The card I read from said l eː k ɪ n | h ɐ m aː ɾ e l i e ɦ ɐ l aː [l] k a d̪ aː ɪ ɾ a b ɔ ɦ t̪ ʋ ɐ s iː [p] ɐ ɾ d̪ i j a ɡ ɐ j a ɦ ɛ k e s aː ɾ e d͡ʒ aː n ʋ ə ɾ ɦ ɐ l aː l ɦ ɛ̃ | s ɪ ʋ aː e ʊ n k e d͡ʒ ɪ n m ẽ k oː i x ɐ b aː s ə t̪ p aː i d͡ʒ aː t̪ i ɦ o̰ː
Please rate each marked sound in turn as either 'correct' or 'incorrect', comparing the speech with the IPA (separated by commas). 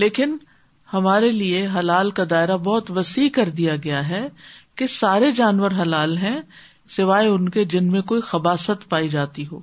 correct, incorrect